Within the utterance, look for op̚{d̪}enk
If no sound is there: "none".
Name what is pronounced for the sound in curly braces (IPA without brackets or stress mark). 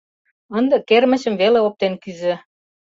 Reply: t̪